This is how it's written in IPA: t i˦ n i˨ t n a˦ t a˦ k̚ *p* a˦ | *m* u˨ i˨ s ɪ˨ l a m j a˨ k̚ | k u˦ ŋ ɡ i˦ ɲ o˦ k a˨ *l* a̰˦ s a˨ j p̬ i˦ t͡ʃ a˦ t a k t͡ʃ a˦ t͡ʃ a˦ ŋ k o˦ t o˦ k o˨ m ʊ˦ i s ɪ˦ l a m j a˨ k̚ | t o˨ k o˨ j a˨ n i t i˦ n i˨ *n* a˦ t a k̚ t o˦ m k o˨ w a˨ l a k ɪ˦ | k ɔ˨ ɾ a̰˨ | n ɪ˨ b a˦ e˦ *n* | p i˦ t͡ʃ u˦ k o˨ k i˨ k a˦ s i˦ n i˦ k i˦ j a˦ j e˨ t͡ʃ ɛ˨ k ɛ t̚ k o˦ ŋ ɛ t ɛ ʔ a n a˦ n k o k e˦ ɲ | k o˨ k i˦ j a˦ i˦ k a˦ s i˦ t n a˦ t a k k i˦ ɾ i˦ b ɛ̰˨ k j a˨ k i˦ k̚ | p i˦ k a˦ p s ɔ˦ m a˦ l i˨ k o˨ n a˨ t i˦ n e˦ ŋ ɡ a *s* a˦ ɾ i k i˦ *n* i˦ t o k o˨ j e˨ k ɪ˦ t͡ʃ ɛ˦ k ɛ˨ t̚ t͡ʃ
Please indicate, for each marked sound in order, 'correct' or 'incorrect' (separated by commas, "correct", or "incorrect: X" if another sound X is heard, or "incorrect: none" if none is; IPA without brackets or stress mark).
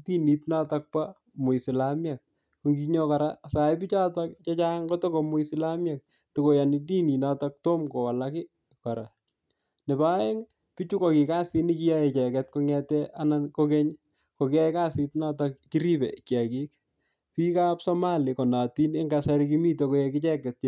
correct, correct, incorrect: ɾ, correct, incorrect: ŋ, correct, incorrect: m